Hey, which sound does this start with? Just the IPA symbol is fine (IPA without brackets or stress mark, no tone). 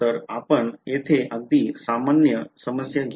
ə